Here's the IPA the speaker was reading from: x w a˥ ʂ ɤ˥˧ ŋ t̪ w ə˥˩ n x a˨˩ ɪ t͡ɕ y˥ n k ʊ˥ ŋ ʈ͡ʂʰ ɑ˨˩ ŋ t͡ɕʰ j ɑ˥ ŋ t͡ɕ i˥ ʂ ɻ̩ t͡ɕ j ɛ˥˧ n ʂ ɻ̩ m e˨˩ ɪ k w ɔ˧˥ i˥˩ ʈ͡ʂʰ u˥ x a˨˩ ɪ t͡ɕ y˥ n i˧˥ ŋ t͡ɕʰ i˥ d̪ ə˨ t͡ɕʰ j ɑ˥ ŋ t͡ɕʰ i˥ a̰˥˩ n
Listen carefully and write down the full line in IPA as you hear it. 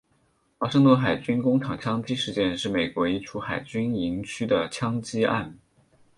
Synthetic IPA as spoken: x w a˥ ʂ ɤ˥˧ ŋ t̪ w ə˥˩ n x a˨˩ ɪ t͡ɕ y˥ n k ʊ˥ ŋ ʈ͡ʂʰ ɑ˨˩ ŋ t͡ɕʰ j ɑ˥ ŋ t͡ɕ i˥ ʂ ɻ̩ t͡ɕ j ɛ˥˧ n ʂ ɻ̩ m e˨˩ ɪ k w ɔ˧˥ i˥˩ ʈ͡ʂʰ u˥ x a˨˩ ɪ t͡ɕ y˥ n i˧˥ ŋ t͡ɕʰ y˥ d̪ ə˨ t͡ɕʰ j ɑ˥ ŋ t͡ɕ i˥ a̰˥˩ n

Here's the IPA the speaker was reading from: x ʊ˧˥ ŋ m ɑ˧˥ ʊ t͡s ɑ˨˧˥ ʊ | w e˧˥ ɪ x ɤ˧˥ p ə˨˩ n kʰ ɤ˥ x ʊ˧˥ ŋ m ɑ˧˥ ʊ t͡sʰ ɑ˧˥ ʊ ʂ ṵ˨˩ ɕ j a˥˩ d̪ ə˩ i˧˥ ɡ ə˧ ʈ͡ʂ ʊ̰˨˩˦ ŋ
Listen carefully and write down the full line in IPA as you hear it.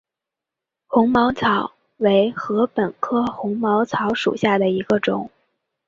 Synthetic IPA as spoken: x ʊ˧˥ ŋ m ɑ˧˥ ʊ t͡sʰ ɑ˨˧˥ ʊ | w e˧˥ ɪ x ɤ˧˥ p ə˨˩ n kʰ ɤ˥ x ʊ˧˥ ŋ m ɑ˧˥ ʊ t͡sʰ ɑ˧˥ ʊ ʂ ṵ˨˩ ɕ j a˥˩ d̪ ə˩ i˧˥ ɡ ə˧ ʈ͡ʂ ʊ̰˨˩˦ ŋ

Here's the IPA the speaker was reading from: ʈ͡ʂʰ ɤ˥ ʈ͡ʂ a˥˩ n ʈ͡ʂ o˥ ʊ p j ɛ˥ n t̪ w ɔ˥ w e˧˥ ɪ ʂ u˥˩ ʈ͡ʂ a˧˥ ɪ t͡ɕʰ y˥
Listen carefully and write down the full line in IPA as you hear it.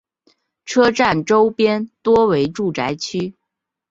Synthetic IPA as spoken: ʈ͡ʂʰ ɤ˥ ʈ͡ʂ a˥˩ n ʈ͡ʂ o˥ ʊ p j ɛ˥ n t̪ w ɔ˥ w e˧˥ ɪ ʈ͡ʂ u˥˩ ʈ͡ʂ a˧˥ ɪ t͡ɕʰ y˥

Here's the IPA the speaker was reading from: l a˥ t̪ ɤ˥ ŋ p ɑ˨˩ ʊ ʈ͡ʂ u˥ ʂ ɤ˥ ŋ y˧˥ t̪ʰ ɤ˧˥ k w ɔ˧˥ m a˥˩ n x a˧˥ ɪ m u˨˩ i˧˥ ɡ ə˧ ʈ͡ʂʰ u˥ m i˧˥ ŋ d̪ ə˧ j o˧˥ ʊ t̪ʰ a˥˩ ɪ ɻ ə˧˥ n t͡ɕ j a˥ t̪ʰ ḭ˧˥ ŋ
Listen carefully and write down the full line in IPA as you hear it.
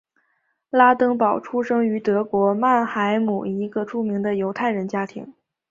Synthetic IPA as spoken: l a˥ t̪ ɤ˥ ŋ p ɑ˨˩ ʊ ʈ͡ʂʰ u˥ ʂ ɤ˥ ŋ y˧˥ t̪ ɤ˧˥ k w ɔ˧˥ m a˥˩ n x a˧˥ ɪ m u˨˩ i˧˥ ɡ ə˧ ʈ͡ʂʰ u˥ m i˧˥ ŋ d̪ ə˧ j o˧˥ ʊ t̪ʰ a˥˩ ɪ ɻ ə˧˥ n t͡ɕ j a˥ t̪ʰ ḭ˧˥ ŋ

